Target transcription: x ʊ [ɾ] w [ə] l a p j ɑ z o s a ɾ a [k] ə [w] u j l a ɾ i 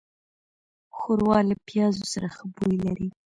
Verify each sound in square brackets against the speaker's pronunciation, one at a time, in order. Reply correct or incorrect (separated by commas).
correct, incorrect, incorrect, incorrect